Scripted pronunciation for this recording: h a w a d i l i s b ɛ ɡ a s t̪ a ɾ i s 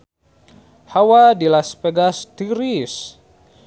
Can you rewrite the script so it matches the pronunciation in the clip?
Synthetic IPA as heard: h a w a d i l a s p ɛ ɡ a s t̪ i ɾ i s